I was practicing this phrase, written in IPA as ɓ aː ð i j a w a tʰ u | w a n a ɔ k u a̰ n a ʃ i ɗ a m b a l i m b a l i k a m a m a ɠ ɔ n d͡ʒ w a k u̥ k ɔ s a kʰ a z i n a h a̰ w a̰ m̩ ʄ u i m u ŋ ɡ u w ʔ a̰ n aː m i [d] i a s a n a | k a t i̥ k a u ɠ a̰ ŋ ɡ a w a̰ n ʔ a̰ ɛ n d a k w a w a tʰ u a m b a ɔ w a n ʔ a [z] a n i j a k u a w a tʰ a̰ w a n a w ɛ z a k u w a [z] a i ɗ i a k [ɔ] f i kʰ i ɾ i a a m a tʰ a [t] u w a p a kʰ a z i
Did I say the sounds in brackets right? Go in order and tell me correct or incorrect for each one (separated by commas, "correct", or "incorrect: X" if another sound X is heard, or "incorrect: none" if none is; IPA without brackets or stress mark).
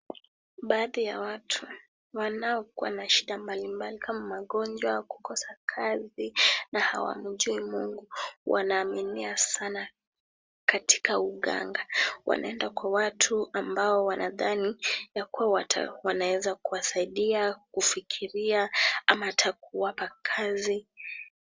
incorrect: n, incorrect: ð, incorrect: s, incorrect: u, incorrect: k